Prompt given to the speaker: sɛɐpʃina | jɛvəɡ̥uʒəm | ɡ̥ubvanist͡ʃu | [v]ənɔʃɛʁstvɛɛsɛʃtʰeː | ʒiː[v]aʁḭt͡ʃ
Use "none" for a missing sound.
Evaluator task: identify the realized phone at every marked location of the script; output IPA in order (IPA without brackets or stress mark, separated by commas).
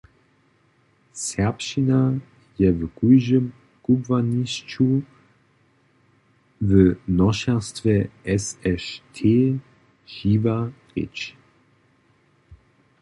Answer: v, v